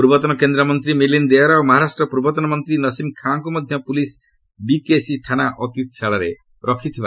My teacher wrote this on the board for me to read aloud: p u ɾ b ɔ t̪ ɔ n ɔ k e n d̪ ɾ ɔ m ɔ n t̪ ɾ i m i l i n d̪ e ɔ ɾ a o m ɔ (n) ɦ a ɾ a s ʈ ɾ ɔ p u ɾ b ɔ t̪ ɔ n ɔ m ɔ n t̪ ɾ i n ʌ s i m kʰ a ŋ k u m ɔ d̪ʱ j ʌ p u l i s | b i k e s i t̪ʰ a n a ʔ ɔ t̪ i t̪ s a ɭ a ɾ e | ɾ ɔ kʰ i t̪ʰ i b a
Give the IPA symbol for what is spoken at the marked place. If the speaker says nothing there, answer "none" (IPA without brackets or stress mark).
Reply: none